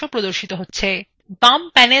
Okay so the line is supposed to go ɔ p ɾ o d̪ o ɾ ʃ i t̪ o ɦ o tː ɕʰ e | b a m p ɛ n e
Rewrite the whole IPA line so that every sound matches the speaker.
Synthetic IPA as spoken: o p ɾ o d̪ o ɾ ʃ i t̪ o ɦ o tː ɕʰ e | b a m p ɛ n e